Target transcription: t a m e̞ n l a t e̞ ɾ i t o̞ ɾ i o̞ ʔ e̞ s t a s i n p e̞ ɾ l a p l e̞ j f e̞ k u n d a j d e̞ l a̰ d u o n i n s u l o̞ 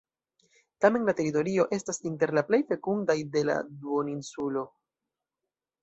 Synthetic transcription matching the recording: t a m e̞ n l a t e̞ ɾ i t o̞ ɾ i o̞ ʔ e̞ s t a s i n t e̞ ɾ l a p l e̞ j f e̞ k u n d a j d e̞ l a̰ d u o n i n s u l o̞